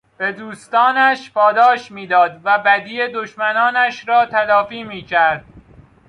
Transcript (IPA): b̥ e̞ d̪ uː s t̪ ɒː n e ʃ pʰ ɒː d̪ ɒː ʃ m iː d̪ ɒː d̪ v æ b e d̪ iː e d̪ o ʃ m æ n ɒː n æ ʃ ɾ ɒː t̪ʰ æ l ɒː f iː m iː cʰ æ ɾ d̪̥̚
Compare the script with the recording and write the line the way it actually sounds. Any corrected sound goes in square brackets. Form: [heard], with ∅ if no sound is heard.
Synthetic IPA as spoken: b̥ e̞ d̪ uː s t̪ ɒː n [æ] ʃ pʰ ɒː d̪ ɒː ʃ m iː d̪ ɒː d̪ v æ b [æ] d̪ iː e d̪ o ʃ m æ n ɒː n æ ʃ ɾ ɒː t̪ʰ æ l ɒː f iː m iː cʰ æ ɾ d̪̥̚